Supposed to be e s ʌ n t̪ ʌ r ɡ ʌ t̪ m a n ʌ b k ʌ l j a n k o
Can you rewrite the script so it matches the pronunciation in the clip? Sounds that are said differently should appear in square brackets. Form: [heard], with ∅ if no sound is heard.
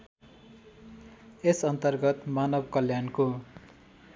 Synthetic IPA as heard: e s ʌ n t̪ ʌ r ɡ ʌ t̪ m a n ʌ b k ʌ l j a n k o